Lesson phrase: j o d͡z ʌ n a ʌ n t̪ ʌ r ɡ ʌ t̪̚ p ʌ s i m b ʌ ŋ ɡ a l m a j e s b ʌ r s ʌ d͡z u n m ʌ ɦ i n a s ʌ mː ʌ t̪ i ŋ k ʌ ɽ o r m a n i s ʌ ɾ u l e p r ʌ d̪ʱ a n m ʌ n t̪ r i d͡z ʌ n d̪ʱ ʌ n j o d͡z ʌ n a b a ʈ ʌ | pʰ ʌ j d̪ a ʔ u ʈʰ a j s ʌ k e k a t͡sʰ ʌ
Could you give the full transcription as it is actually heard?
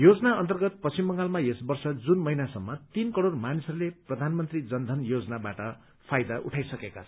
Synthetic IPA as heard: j o d͡z ʌ n a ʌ n t̪ ʌ r ɡ ʌ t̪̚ p ʌ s i m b ʌ ŋ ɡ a l m a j e s b ʌ r s ʌ d͡z u n m ʌ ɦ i n a s ʌ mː ʌ t̪ i n k ʌ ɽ o r m a n i s ʌ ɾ u l e p r ʌ d̪ʱ a n m ʌ n t̪ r i d͡z ʌ n d̪ʱ ʌ n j o d͡z ʌ n a b a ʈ ʌ | pʰ a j d̪ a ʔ u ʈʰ a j s ʌ k e k a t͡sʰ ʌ